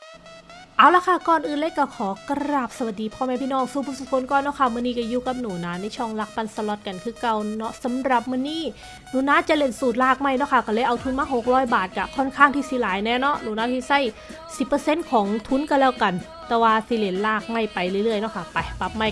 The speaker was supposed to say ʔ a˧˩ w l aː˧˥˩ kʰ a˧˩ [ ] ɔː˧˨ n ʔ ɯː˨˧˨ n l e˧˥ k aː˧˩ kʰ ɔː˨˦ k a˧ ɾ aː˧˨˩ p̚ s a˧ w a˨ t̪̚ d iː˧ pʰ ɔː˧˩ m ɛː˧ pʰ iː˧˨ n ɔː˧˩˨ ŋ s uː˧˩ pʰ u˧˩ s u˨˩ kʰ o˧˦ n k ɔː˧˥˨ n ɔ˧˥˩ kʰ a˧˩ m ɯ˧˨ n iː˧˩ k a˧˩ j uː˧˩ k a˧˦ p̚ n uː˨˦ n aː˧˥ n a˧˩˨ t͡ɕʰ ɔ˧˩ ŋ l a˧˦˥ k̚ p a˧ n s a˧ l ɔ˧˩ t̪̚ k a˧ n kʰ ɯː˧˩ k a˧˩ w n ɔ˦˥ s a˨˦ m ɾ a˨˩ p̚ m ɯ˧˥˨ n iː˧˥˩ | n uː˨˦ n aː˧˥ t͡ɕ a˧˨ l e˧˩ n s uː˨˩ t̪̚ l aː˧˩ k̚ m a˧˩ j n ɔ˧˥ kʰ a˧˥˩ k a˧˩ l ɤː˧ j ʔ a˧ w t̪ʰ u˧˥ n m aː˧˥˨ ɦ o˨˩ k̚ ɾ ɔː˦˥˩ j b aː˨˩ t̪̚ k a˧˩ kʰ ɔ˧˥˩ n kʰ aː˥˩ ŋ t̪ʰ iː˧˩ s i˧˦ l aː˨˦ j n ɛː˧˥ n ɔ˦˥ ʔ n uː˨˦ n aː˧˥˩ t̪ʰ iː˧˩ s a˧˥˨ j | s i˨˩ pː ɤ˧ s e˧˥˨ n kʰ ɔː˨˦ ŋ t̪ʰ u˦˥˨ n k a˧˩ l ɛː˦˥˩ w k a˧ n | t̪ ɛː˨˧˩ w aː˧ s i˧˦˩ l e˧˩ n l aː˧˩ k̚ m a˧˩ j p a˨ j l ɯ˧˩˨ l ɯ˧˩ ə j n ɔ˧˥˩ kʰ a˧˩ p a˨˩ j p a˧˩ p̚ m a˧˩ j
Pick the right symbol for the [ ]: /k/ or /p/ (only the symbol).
k